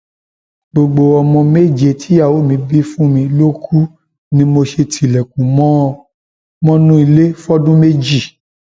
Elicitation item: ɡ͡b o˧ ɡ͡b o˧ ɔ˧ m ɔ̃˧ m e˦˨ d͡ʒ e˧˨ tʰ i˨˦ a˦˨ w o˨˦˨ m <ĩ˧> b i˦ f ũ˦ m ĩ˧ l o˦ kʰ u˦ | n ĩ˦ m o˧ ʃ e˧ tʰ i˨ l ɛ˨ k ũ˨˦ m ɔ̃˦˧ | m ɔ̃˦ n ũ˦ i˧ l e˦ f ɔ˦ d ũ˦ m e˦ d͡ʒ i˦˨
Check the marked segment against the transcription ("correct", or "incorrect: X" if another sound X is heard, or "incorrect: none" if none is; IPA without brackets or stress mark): correct